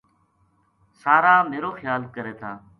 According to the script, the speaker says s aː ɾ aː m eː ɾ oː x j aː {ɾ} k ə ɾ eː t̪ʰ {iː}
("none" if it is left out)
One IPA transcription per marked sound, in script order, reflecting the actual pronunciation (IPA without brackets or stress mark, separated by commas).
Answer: l, aː